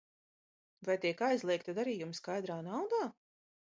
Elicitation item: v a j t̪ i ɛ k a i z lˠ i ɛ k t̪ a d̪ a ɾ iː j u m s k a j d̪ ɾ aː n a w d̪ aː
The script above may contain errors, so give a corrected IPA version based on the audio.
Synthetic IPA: v a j t̪ i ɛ k a j z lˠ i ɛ k t̪ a d̪ a ɾ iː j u m s k a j d̪ ɾ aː n a w d̪ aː